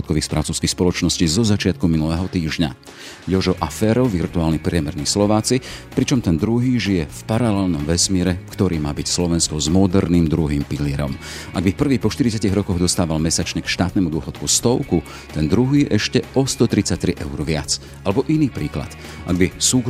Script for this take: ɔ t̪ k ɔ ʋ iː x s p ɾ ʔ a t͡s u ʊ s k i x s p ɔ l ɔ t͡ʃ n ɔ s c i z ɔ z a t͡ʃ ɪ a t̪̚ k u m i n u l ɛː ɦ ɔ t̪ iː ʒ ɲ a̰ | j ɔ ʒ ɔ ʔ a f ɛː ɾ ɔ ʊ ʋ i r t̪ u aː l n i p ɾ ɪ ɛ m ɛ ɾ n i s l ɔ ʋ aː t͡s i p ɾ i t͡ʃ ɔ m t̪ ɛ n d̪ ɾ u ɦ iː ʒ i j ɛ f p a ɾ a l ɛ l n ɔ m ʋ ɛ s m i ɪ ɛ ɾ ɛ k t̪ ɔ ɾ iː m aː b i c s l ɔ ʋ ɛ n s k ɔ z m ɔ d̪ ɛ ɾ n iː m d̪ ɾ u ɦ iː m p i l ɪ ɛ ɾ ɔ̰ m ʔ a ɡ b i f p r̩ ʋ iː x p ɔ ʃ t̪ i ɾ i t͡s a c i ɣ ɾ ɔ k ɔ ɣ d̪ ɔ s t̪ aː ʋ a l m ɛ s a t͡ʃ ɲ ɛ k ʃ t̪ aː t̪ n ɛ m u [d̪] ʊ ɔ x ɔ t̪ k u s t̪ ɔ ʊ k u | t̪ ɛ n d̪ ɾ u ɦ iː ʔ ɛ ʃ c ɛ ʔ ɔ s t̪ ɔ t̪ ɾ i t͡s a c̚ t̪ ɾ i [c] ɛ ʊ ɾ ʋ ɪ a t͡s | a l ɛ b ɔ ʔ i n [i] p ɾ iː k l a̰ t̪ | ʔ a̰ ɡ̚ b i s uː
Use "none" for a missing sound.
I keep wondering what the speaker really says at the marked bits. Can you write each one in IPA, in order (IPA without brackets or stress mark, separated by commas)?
d̪, ʔ, iː